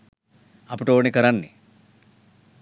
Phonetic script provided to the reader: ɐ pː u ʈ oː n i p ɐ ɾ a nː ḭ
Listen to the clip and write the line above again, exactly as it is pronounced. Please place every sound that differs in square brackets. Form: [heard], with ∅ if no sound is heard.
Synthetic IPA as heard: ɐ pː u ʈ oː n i [k] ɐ ɾ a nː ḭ